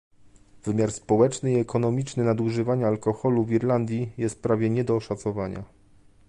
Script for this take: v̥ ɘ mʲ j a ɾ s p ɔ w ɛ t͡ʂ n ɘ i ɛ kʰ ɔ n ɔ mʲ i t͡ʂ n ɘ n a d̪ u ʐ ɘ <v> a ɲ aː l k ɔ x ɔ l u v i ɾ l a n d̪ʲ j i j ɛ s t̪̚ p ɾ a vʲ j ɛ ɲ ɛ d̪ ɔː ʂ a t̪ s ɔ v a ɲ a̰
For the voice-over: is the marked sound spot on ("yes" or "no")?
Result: yes